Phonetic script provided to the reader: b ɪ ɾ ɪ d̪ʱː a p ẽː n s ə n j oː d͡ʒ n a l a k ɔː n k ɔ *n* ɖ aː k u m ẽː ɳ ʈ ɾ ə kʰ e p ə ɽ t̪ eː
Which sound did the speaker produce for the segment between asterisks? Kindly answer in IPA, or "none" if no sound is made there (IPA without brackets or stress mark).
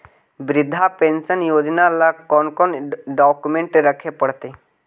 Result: n